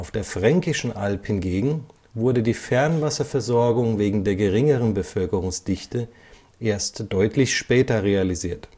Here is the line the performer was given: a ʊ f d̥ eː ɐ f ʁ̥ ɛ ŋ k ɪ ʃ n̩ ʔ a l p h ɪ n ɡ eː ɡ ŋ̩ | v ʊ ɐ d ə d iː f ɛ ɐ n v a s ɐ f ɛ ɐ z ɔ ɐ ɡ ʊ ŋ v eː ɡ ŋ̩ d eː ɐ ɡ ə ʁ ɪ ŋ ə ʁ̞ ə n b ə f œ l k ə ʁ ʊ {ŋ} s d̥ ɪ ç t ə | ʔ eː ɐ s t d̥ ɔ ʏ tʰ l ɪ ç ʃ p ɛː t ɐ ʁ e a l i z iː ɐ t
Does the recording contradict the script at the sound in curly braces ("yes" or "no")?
no